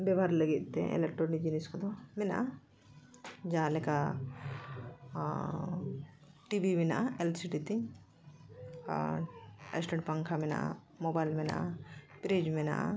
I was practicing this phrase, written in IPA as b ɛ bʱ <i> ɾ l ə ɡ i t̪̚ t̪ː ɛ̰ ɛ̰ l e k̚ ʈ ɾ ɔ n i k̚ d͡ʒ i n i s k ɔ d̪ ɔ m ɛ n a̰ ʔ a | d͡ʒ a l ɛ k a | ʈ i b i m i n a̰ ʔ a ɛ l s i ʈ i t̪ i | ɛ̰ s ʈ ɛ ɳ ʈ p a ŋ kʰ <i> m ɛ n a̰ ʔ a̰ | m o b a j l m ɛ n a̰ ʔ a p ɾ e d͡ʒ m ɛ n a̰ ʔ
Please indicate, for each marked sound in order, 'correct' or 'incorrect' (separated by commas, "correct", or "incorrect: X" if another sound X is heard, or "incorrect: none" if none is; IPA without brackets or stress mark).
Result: incorrect: a, incorrect: a